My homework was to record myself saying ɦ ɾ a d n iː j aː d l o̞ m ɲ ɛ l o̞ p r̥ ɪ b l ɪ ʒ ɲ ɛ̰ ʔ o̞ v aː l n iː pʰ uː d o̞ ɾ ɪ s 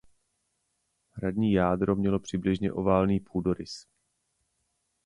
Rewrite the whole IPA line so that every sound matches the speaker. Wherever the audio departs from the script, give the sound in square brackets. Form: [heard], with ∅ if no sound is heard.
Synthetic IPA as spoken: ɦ ɾ a d [ɲ] iː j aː d [ɾ] o̞ m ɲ ɛ l o̞ p r̥ ɪ b l ɪ ʒ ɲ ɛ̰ ʔ o̞ v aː l n iː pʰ uː d o̞ ɾ ɪ s